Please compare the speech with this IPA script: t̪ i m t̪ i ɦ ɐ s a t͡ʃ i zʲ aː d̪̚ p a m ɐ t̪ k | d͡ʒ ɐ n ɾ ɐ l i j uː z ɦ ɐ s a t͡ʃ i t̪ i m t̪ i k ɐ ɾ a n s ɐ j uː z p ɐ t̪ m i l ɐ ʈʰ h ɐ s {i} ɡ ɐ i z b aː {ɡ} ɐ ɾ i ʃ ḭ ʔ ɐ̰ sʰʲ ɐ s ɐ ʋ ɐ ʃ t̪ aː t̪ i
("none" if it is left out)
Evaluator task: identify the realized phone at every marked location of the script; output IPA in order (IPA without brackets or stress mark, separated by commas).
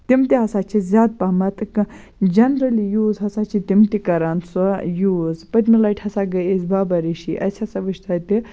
a, b